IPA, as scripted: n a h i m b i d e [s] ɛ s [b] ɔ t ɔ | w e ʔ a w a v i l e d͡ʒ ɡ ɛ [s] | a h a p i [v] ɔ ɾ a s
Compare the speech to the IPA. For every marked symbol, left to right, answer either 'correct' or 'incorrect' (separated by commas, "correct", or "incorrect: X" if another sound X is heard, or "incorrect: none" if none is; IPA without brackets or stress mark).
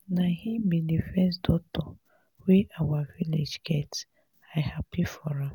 incorrect: f, incorrect: d, incorrect: t, incorrect: f